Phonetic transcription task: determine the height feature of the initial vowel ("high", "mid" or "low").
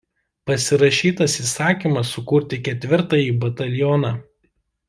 low